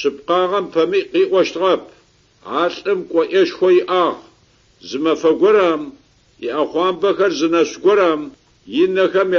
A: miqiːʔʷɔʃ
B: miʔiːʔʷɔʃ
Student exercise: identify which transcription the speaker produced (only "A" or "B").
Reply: A